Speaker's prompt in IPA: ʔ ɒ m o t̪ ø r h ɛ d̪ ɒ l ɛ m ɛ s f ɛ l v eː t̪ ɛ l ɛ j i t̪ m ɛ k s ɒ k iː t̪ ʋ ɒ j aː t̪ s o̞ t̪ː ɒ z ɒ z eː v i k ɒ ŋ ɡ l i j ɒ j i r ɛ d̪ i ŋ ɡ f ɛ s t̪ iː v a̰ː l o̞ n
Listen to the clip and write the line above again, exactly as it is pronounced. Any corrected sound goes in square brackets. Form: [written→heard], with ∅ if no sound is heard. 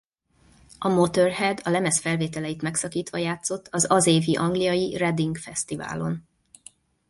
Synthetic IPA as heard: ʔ ɒ m o t̪ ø r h ɛ d̪ ɒ l ɛ m ɛ s f ɛ l v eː t̪ ɛ l ɛ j i t̪ m ɛ k s ɒ k iː t̪ ʋ ɒ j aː t̪ s o̞ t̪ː ɒ z ɒ z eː v i [k→ʔ] ɒ ŋ ɡ l i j ɒ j i r ɛ d̪ i ŋ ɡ f ɛ s t̪ [iː→i] v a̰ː l o̞ n